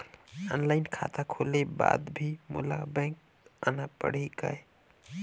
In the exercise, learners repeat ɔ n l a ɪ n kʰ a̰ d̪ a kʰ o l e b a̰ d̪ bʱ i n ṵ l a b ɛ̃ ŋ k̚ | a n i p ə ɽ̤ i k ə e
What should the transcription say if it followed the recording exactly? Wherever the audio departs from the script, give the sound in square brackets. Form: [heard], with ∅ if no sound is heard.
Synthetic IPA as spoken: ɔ n l a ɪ n kʰ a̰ [t̪] a kʰ o l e b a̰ d̪ bʱ i [m] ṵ l a b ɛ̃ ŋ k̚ | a n [a] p ə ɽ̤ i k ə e